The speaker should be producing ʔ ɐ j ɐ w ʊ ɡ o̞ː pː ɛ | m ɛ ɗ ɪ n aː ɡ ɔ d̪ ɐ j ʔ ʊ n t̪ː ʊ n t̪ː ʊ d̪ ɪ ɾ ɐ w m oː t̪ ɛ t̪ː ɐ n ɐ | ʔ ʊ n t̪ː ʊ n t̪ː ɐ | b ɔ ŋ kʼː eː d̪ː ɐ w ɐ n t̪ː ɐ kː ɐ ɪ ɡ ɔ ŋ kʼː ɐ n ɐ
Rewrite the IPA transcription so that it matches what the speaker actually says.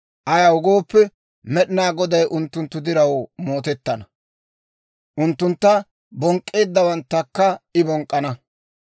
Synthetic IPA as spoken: ʔ ɐ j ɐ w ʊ ɡ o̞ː pː ɛ | m ɛ ɗ ɪ n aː ɡ ɔ d̪ ɐ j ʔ ʊ n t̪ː ʊ n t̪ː ʊ d̪ ɪ ɾ ɐ w m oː t̪ ɛ t̪ː ɐ n ɐ | ʔ ʊ n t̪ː ʊ n t̪ː ɐ | b ɔ ŋ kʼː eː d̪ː ɐ w ɐ n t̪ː ɐ kː ɐ ɪ b ɔ ŋ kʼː ɐ n ɐ

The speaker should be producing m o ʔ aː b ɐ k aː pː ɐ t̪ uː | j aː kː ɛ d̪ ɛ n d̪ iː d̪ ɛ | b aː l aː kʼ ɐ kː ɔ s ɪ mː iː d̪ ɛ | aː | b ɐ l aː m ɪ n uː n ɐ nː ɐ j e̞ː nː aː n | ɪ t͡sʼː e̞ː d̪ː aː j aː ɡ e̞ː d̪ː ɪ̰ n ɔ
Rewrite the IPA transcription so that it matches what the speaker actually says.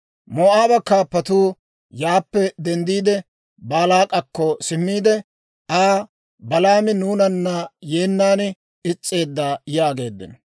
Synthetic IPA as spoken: m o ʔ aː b ɐ k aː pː ɐ t̪ uː | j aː pː ɛ d̪ ɛ n d̪ iː d̪ ɛ | b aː l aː kʼ ɐ kː ɔ s ɪ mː iː d̪ ɛ | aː | b ɐ l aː m ɪ n uː n ɐ nː ɐ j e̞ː nː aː n | ɪ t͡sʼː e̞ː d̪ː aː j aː ɡ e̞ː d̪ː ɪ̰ n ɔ

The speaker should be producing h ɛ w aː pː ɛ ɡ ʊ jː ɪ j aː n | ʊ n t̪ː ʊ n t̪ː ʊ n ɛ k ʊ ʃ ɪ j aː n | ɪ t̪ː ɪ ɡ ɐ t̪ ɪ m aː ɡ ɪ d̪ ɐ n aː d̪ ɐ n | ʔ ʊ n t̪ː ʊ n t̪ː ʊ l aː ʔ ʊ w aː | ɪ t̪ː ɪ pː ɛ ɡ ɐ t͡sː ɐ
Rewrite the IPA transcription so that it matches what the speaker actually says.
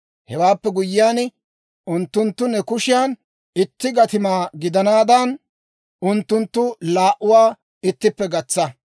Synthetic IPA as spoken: h ɛ w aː pː ɛ ɡ ʊ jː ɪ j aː n | ʊ n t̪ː ʊ n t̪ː ʊ n ɛ k ʊ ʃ ɪ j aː n | ɪ t̪ː ɪ ɡ ɐ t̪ ɪ m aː ɡ ɪ d̪ ɐ n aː d̪ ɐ n | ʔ ʊ n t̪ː ʊ n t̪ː ʊ l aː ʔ ʊ w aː | ɪ t̪ː ɪ pː ɛ ɡ ɐ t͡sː ɐ

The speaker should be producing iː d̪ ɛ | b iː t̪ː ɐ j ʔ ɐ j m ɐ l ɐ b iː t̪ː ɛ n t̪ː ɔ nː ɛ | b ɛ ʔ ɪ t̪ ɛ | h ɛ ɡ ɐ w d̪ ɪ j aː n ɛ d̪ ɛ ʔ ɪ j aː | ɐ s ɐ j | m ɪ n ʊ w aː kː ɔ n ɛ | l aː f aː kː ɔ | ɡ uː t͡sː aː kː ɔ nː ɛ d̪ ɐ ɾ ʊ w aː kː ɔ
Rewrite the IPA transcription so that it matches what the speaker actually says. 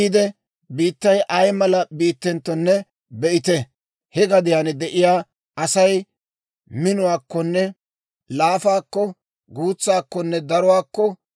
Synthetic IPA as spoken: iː d̪ ɛ | b iː t̪ː ɐ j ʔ ɐ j m ɐ l ɐ b iː t̪ː ɛ n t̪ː ɔ nː ɛ | b ɛ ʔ ɪ t̪ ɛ | h ɛ ɡ ɐ d̪ ɪ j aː n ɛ d̪ ɛ ʔ ɪ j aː | ɐ s ɐ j | m ɪ n ʊ w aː kː ɔ nː ɛ | l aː f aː kː ɔ | ɡ uː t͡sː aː kː ɔ nː ɛ d̪ ɐ ɾ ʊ w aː kː ɔ

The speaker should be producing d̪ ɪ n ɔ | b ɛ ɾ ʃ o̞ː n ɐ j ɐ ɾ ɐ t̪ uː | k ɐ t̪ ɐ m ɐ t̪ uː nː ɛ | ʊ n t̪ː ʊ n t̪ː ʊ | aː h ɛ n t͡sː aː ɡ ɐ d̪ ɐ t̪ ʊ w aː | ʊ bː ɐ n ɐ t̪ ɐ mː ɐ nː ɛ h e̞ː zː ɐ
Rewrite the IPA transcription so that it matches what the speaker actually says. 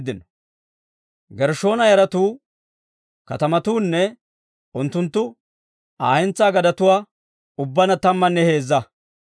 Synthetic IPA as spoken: d̪ ɪ n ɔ | ɡ ɛ ɾ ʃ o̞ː n ɐ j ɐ ɾ ɐ t̪ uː | k ɐ t̪ ɐ m ɐ t̪ uː nː ɛ | ʊ n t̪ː ʊ n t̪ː ʊ | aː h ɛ n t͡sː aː ɡ ɐ d̪ ɐ t̪ ʊ w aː | ʊ bː ɐ n ɐ t̪ ɐ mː ɐ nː ɛ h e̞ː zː ɐ

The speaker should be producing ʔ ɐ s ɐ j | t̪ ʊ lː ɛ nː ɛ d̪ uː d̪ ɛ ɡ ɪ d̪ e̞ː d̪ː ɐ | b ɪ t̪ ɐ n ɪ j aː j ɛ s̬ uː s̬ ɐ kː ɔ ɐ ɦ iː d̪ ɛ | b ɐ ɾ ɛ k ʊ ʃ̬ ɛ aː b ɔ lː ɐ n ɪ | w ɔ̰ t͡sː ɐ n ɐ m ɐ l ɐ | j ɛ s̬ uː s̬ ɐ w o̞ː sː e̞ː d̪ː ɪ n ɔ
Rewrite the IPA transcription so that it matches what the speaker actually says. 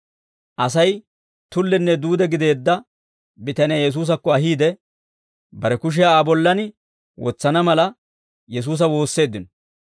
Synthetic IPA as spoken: ʔ ɐ s ɐ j | t̪ ʊ lː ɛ nː ɛ d̪ uː d̪ ɛ ɡ ɪ d̪ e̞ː d̪ː ɐ | b ɪ t̪ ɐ n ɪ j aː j ɛ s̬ uː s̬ ɐ kː ɔ ɐ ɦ iː d̪ ɛ | b ɐ ɾ ɛ k ʊ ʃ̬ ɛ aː b ɔ lː ɐ n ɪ | w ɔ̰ t͡sː ɐ n ɐ m ɐ l ɐ | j ɛ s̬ uː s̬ ɐ w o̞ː sː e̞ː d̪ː ɪ n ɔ

